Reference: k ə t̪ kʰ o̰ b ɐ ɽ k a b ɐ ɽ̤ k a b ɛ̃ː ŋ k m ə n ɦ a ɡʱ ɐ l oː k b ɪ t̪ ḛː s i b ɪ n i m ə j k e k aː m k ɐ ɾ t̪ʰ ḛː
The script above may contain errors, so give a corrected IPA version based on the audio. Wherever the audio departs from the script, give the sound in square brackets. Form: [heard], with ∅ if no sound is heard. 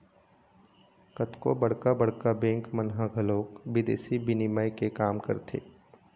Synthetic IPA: k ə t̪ [k] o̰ b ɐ ɽ k a b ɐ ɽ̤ k a b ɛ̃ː ŋ k m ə n ɦ a ɡʱ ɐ l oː k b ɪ [d̪] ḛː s i b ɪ n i m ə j k e k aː m k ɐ ɾ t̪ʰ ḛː

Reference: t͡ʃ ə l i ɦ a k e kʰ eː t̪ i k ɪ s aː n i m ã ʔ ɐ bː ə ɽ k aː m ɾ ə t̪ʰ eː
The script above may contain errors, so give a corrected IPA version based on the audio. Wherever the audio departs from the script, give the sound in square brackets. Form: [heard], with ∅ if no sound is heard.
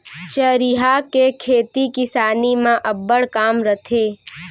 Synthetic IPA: t͡ʃ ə [ɾ] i ɦ a k e kʰ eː t̪ i k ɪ s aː n i m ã ʔ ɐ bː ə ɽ k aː m ɾ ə t̪ʰ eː

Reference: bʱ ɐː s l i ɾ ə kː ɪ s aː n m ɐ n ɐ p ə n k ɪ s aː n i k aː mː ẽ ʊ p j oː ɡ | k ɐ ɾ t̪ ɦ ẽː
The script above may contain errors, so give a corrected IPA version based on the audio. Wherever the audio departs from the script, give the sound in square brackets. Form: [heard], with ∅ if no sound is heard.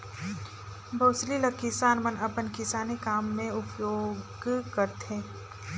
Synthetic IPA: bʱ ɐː s l i [l] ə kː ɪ s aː n m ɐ n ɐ p ə n k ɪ s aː n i k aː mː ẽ ʊ p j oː ɡ | k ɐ ɾ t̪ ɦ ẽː

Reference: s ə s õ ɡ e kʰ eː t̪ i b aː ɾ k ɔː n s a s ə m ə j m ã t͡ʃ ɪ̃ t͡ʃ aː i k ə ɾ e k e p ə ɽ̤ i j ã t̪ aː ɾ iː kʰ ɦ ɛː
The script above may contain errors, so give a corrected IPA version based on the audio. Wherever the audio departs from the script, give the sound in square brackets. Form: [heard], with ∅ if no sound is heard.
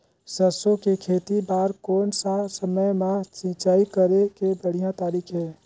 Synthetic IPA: s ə s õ [k] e kʰ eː t̪ i b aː ɾ k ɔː n s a s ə m ə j m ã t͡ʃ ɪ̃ t͡ʃ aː i k ə ɾ e k e [b] ə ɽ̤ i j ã t̪ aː ɾ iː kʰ ɦ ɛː

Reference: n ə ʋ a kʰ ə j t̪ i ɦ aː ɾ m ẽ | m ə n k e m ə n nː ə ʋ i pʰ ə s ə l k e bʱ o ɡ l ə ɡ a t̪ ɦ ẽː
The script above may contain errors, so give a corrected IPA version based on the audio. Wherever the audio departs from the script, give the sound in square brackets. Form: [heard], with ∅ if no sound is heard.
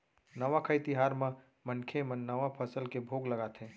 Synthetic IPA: n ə ʋ a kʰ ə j t̪ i ɦ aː ɾ m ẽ | m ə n [kʰ] e m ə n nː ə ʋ [a] pʰ ə s ə l k e bʱ o ɡ l ə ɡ a t̪ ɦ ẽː

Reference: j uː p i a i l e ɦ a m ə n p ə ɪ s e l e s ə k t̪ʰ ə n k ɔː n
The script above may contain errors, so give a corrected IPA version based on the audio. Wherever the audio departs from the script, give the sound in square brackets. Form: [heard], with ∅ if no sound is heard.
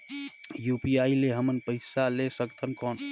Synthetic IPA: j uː p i a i l e ɦ [ə] m ə n p ə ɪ s [a] l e s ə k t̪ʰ ə n k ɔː n

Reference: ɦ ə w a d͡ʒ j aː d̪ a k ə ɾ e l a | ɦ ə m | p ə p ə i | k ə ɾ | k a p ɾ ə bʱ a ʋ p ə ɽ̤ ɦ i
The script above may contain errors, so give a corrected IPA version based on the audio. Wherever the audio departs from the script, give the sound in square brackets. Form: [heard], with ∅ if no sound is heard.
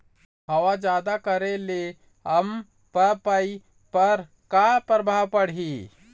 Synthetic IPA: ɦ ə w a d͡ʒ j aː d̪ a k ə ɾ e l [e] | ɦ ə m | p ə p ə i | [p] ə ɾ | k a p ɾ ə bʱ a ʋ p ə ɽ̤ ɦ i

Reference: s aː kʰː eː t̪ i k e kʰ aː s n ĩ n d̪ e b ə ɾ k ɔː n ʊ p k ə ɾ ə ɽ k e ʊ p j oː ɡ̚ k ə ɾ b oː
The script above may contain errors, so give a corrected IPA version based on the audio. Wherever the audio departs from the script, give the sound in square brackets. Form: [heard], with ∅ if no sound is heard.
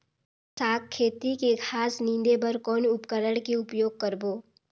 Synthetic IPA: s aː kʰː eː t̪ i k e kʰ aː s n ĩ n d̪ e b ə ɾ k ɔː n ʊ p k ə ɾ ə ɽ k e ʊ p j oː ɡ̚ k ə ɾ b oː

